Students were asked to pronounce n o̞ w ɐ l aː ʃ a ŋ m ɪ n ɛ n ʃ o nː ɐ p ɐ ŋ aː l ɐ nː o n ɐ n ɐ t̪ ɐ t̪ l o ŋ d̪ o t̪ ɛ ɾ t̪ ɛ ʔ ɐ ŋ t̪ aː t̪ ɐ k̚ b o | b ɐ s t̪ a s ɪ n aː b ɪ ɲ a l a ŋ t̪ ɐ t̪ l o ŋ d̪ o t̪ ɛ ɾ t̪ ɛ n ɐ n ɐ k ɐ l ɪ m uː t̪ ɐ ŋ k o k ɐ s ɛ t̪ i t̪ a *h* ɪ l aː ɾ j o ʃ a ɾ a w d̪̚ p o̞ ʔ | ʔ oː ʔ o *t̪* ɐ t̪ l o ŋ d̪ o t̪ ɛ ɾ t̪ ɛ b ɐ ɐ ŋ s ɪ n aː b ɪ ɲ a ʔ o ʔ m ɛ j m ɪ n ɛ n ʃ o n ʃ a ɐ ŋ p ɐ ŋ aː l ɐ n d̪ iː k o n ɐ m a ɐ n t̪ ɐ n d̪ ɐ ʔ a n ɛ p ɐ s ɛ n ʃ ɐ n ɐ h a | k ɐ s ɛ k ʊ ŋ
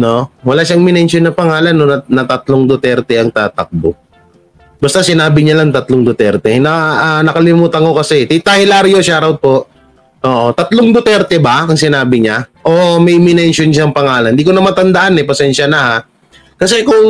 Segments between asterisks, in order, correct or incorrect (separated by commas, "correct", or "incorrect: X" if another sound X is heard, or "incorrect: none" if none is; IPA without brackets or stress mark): correct, correct